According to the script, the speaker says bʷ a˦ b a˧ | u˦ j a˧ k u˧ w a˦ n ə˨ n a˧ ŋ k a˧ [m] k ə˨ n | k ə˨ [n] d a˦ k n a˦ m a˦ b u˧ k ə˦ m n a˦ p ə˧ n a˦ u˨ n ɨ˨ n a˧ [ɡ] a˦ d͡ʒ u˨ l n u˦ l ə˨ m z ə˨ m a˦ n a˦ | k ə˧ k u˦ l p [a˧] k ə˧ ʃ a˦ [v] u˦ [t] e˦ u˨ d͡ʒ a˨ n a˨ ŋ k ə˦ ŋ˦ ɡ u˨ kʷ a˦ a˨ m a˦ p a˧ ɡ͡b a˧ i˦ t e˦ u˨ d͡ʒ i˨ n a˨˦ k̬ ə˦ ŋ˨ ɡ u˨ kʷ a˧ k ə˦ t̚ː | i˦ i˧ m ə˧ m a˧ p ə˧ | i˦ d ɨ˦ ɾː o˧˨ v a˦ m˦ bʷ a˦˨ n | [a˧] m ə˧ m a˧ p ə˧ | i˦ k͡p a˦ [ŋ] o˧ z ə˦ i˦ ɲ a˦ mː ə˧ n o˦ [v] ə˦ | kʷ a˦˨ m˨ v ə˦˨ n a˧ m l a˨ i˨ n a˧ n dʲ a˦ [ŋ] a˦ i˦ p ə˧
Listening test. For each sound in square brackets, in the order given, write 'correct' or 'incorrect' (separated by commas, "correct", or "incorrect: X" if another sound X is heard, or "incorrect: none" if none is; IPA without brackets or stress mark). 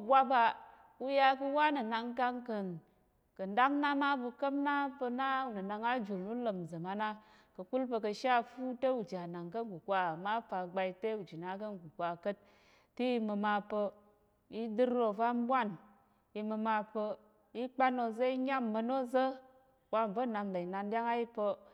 incorrect: ŋ, correct, incorrect: ŋ, incorrect: ə˧, incorrect: f, correct, incorrect: i˧, incorrect: n, incorrect: z, correct